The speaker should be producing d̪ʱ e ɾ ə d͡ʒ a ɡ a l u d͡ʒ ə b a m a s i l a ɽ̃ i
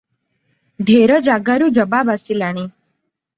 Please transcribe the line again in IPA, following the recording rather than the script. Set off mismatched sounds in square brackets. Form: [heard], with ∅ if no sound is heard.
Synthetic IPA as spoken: d̪ʱ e ɾ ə d͡ʒ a ɡ a [ɾ] u d͡ʒ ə b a [b] a s i l a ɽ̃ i